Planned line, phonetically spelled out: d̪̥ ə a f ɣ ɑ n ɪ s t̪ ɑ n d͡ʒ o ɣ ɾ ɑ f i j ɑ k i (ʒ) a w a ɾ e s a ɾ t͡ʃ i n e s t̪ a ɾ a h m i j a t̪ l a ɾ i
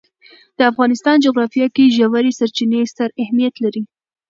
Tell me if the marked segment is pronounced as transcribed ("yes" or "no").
yes